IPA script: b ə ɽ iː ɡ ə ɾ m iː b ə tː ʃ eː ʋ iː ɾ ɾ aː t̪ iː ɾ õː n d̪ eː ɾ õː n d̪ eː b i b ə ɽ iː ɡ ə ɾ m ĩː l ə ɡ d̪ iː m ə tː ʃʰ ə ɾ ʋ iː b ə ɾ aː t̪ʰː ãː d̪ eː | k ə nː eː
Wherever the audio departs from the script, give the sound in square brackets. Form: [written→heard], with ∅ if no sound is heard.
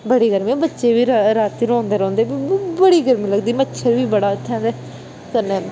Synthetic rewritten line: b ə ɽ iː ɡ ə ɾ m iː b ə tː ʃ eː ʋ iː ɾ ɾ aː t̪ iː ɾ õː n d̪ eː ɾ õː n d̪ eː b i b ə ɽ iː ɡ ə ɾ m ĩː l ə ɡ d̪ iː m ə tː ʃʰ ə ɾ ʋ iː b ə [ɾ→ɽ] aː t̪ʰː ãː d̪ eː | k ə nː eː